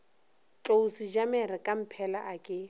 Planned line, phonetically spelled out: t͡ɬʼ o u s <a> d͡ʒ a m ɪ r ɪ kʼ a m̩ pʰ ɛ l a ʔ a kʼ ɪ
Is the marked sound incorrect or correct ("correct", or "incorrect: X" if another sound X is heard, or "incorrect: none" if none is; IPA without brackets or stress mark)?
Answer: incorrect: i